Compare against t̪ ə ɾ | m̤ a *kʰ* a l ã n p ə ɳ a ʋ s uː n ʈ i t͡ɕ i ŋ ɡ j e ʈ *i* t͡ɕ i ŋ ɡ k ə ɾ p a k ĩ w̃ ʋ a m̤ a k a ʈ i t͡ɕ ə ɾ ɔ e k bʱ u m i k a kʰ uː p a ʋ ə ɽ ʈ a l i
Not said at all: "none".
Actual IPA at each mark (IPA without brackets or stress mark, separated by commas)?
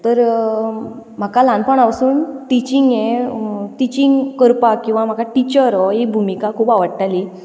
k, i